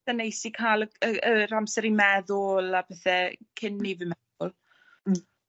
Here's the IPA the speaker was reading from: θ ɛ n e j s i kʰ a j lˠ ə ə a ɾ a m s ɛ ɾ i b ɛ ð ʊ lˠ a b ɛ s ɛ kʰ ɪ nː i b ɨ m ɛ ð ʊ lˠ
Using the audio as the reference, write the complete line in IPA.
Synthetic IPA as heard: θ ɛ n e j s i kʰ a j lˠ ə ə ə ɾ a m s ɛ ɾ i m ɛ ð ʊ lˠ a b ɛ θ ɛ kʰ ɪ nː i v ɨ m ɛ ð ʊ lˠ